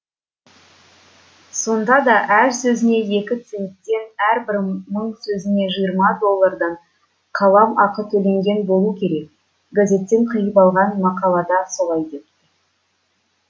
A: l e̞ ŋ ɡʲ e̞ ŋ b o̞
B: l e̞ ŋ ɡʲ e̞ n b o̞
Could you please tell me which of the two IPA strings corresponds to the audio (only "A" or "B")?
B